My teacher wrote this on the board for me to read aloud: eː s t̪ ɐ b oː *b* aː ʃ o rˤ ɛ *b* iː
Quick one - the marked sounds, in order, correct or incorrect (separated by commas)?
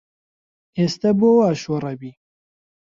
incorrect, correct